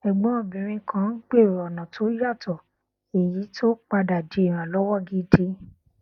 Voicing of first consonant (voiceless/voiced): voiced